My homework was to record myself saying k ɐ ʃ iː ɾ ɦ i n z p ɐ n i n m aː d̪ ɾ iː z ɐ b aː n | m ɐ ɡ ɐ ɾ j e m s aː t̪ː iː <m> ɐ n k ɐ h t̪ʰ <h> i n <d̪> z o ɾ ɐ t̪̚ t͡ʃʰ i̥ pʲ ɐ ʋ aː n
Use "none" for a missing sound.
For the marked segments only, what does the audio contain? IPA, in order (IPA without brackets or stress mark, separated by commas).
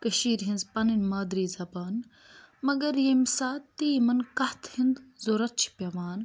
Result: m, h, d̪